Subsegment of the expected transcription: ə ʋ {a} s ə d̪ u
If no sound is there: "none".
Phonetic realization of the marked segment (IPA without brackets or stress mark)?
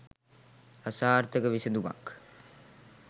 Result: i